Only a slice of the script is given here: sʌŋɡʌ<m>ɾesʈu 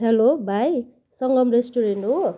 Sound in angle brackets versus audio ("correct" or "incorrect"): correct